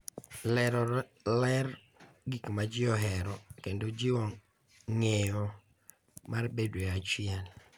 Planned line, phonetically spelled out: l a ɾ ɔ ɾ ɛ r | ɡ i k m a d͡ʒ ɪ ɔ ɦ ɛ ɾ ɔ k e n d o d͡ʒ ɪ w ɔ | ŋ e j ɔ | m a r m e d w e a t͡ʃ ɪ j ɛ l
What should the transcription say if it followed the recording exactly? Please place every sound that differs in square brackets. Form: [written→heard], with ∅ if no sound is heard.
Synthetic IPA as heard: l [a→ɛ] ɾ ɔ [ɾ→l] ɛ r | ɡ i k m a d͡ʒ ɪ ɔ ɦ ɛ ɾ ɔ k e n d o d͡ʒ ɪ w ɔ | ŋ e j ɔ | m a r [m→b] e d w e a t͡ʃ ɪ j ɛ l